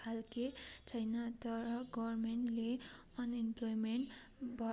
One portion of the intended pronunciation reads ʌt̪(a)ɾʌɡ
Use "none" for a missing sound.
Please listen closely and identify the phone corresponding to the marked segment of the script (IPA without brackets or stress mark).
ʌ